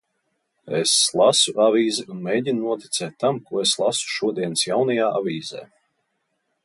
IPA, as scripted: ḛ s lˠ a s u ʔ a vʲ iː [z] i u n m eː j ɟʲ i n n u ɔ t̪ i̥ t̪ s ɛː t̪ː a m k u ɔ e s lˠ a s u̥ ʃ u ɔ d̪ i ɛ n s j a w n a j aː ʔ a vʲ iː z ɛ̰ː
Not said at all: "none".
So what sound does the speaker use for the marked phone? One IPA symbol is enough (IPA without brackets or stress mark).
z